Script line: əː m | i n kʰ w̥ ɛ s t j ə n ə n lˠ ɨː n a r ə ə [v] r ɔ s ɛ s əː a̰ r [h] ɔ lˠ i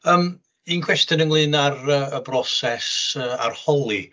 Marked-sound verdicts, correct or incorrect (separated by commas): incorrect, correct